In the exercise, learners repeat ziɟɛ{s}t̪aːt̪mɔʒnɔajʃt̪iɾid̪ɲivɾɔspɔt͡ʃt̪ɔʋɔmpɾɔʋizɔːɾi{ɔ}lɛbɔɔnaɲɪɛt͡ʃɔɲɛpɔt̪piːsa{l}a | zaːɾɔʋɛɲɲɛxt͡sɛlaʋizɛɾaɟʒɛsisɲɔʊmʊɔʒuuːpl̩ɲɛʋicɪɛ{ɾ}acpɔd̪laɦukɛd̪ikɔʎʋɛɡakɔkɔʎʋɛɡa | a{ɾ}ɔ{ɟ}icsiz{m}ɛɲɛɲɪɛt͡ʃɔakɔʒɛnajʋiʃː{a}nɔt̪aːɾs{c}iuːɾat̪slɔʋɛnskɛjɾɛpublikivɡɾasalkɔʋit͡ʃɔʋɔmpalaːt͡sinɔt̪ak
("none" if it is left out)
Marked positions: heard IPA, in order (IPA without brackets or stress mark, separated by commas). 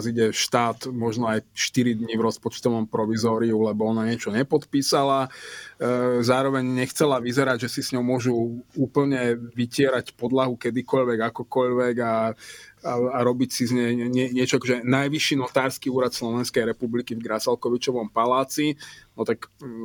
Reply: ʃ, u, l, ɾ, ɾ, b, ɲ, i, k